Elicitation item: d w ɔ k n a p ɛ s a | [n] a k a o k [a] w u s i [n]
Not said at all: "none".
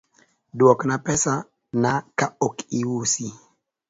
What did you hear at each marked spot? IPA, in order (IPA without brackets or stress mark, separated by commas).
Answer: n, i, none